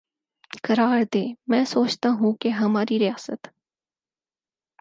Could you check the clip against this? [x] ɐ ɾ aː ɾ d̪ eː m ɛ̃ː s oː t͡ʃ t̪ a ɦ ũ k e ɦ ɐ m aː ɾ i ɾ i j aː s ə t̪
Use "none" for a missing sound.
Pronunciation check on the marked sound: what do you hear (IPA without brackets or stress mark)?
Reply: k